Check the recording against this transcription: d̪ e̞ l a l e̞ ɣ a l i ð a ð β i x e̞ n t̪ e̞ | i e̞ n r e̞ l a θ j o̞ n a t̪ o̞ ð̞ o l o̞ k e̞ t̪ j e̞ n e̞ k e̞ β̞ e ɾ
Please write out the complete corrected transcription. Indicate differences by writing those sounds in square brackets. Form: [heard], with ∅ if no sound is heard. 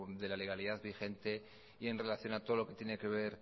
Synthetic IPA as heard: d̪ e̞ l a l e̞ ɣ a l i ð a ð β i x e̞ n t̪ e̞ | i e̞ n r e̞ l a θ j o̞ n a t̪ o̞ ð̞ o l o̞ k e̞ t̪ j e̞ n e̞ k e̞ β̞ e ɾ